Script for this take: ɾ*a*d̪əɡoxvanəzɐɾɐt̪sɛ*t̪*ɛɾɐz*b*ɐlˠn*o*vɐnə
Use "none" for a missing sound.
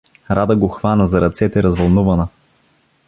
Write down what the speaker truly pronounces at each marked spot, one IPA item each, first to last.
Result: a, t̪, v, u

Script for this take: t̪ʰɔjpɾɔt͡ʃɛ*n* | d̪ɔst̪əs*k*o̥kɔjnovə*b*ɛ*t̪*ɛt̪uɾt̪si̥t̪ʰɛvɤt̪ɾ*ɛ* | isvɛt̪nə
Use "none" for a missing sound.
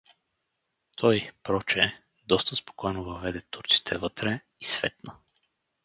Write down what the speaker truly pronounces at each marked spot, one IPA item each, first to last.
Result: none, p, v, d̪, ɛ

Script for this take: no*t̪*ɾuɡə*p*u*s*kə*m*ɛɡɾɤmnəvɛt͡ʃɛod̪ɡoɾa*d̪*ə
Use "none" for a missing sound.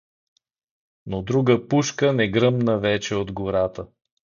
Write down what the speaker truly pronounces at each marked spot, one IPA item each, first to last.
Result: d̪, p, ʃ, n, t̪

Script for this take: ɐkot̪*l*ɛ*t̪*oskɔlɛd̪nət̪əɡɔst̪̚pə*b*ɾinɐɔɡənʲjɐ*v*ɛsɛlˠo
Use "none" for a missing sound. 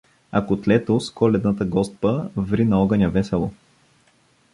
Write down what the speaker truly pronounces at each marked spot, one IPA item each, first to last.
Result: l, t̪, v, v

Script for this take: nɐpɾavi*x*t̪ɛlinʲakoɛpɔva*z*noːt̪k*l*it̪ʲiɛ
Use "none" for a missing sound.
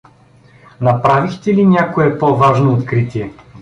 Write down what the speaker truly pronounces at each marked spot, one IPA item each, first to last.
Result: x, ʒ, ɾ

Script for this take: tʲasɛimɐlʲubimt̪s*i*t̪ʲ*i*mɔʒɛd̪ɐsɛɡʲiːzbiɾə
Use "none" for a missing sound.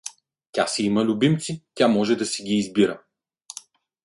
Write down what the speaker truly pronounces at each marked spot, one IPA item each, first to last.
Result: i, a

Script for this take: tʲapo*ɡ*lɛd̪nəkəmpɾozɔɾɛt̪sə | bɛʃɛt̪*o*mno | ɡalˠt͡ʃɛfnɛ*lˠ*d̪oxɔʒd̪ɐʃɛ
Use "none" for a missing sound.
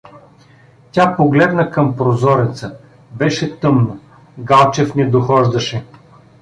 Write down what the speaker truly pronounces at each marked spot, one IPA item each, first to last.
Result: ɡ, ɤ, none

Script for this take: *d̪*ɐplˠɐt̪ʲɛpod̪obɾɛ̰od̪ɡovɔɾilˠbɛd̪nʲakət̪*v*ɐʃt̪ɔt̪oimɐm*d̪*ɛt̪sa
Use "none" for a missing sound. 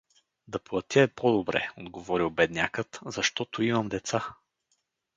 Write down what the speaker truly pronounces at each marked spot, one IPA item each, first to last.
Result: d̪, z, d̪

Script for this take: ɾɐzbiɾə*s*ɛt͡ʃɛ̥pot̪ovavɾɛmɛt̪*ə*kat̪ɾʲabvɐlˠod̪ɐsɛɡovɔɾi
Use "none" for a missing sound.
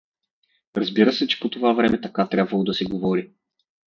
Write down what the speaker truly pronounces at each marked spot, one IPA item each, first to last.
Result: s, ɐ

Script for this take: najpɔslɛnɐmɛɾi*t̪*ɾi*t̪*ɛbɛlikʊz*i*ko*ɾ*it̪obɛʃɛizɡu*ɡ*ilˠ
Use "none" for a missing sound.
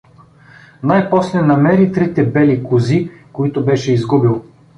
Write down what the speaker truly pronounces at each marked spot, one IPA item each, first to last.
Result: t̪, t̪, i, none, b

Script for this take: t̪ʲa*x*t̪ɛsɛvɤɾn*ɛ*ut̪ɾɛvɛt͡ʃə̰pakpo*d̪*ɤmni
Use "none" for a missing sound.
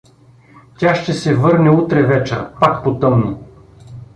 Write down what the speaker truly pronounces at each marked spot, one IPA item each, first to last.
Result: ʃ, ɛ, t̪

